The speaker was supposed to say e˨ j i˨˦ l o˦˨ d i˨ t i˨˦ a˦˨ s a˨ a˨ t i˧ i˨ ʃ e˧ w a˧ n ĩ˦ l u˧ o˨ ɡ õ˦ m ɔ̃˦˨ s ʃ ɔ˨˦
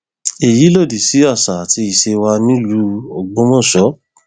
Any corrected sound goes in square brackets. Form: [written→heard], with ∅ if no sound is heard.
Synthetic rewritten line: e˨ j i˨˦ l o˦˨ d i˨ [t→s] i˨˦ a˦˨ s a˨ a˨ t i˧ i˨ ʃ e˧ w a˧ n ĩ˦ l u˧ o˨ [ɡ→ɡ͡b] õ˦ m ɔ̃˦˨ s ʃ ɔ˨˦